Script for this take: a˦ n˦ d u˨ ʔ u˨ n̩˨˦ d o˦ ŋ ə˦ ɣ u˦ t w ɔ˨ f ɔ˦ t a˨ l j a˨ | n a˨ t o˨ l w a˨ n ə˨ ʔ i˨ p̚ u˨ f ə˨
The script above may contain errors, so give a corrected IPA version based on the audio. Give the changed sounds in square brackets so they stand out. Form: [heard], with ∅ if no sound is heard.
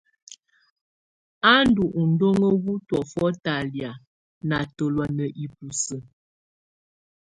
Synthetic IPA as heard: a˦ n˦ d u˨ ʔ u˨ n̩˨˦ d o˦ ŋ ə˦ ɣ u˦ t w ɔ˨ f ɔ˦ t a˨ l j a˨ | n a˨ t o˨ l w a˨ n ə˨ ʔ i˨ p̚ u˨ [s] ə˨